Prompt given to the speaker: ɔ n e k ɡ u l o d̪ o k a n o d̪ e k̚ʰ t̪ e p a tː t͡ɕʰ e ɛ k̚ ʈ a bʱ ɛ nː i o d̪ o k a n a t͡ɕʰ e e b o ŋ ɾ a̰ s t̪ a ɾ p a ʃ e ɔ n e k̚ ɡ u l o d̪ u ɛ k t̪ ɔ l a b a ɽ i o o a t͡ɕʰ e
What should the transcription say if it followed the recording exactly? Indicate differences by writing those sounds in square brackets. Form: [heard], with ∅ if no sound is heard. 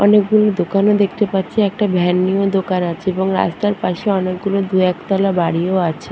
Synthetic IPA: ɔ n e k ɡ u l o d̪ o k a n o d̪ e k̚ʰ t̪ e p a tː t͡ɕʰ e ɛ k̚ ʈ a bʱ ɛ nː i o d̪ o k a n a t͡ɕʰ e e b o ŋ ɾ a̰ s t̪ a ɾ p a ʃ e ɔ n e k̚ ɡ u l o d̪ u ɛ k t̪ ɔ l a b a ɽ i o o a t͡ɕʰ e

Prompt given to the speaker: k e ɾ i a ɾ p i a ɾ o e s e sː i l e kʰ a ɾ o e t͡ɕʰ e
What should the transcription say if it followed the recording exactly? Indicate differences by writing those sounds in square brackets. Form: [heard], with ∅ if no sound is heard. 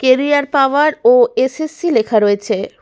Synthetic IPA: k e ɾ i a ɾ p [a] a ɾ o e s e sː i l e kʰ a ɾ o e t͡ɕʰ e

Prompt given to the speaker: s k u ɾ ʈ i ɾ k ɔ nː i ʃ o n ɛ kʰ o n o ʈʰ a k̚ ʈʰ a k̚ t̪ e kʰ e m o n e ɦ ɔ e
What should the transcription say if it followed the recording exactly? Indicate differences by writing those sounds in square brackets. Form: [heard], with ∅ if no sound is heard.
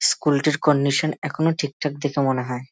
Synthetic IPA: s k u [l] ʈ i ɾ k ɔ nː i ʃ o n ɛ kʰ o n o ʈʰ [i] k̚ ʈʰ a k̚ [d̪] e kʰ e m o n e ɦ ɔ e

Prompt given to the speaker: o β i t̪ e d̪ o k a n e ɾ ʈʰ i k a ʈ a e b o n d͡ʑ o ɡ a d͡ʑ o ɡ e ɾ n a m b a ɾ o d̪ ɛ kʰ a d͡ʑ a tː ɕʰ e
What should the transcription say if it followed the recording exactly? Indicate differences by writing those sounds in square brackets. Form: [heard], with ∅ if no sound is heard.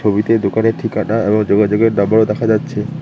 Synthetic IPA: o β i t̪ e d̪ o k a n e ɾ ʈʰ i k a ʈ a e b o [ŋ] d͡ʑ o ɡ a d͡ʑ o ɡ e ɾ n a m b a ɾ o d̪ ɛ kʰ a d͡ʑ a tː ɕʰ e

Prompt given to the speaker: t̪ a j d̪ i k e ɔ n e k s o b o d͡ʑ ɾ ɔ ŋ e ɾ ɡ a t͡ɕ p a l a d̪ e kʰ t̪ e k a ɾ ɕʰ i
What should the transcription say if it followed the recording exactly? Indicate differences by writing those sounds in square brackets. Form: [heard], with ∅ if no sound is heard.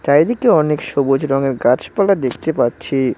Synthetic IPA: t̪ a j d̪ i k e ɔ n e k [ʃ] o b o d͡ʑ ɾ ɔ ŋ e ɾ ɡ a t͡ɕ p a l a d̪ e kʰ t̪ e [p] a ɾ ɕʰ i

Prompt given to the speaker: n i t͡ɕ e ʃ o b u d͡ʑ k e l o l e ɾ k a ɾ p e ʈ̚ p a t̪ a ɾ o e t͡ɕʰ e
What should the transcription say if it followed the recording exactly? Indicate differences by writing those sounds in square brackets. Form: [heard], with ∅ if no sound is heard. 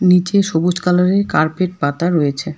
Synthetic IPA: n i t͡ɕ e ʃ o b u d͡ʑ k [a] l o [ɾ] e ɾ k a ɾ p e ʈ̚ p a t̪ a ɾ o e t͡ɕʰ e

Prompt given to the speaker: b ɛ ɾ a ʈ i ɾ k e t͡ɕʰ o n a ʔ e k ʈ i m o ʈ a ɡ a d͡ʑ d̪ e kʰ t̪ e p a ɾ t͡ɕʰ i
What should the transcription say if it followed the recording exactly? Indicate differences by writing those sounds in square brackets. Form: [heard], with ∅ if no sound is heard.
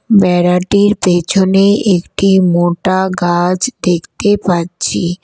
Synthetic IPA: b ɛ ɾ a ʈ i ɾ [p] e t͡ɕʰ o n [e] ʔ e k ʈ i m o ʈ a ɡ a d͡ʑ d̪ e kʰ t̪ e p a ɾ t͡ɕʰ i

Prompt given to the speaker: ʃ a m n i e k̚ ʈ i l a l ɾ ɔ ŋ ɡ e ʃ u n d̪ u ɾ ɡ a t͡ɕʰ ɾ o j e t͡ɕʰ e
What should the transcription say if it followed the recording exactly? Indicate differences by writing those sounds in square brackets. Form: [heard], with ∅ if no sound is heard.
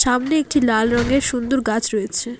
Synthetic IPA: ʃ a m n [e] e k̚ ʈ i l a l ɾ ɔ ŋ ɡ e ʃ u n d̪ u ɾ ɡ a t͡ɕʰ ɾ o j e t͡ɕʰ e

